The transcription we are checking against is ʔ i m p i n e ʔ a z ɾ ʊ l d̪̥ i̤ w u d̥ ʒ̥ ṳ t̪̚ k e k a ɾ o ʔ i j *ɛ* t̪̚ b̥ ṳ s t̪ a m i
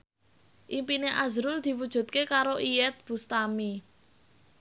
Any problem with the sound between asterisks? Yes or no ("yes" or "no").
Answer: no